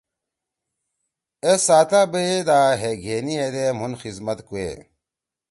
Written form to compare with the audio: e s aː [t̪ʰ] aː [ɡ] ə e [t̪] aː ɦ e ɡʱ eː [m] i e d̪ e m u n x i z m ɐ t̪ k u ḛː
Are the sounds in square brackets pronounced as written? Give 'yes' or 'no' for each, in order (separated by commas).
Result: no, no, no, no